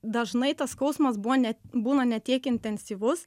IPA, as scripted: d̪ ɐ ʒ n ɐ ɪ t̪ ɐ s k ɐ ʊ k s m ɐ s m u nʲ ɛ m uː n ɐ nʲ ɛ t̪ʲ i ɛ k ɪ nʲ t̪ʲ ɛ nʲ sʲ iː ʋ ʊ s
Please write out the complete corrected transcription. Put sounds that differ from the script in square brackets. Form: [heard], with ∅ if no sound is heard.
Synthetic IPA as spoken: d̪ ɐ ʒ n ɐ ɪ t̪ ɐ s k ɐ ʊ [∅] s m ɐ s [b] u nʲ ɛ [b] uː n ɐ nʲ ɛ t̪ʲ i ɛ k ɪ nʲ t̪ʲ ɛ nʲ sʲ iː ʋ ʊ s